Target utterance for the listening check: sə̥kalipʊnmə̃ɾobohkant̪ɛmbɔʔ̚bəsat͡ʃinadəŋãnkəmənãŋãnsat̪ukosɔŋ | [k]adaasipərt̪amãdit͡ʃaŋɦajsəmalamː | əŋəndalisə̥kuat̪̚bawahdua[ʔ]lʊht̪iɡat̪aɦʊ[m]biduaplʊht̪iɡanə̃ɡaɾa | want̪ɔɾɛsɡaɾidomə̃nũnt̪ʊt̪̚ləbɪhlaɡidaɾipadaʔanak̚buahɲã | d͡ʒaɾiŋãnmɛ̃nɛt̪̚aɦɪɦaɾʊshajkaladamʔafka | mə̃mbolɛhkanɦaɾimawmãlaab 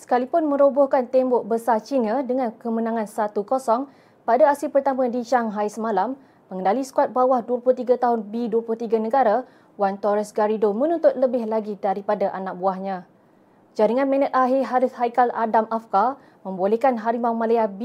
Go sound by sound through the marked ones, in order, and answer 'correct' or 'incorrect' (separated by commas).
incorrect, incorrect, incorrect